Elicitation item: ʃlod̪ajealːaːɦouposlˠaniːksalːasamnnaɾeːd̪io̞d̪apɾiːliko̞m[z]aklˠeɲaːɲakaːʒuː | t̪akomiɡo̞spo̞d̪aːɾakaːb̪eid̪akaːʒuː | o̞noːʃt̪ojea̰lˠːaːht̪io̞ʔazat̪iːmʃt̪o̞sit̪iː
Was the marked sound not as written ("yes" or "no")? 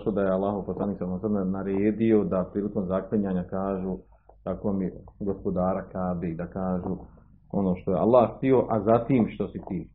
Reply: no